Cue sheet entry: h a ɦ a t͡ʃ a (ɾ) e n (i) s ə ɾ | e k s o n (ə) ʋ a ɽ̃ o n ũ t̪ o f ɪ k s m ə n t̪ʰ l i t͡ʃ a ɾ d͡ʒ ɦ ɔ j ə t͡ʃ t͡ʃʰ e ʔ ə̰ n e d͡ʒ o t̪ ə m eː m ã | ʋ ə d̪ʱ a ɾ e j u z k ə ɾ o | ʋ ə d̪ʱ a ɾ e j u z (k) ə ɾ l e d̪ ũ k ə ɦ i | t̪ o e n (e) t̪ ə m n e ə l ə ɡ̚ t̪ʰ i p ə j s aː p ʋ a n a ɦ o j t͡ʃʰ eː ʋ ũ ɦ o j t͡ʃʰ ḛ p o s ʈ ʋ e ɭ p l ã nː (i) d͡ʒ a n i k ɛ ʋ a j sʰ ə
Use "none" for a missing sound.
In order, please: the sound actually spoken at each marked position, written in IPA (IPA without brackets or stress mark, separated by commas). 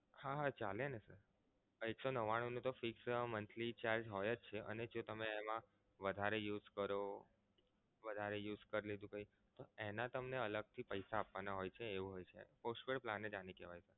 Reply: l, e, ə, k, a, e